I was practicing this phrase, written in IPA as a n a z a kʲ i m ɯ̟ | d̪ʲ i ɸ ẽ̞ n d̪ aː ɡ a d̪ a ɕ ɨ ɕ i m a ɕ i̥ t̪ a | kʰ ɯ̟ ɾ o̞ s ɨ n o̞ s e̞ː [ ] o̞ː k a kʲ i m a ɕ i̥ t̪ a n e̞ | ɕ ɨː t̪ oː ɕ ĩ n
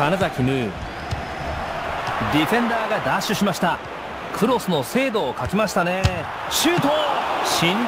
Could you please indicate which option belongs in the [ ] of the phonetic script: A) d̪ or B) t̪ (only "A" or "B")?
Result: A